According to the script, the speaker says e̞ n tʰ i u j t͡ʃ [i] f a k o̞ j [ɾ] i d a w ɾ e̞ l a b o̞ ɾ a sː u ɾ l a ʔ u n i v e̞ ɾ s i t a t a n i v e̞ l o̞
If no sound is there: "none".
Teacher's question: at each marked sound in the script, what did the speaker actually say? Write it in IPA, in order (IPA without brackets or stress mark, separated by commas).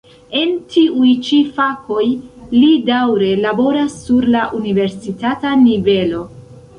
i, l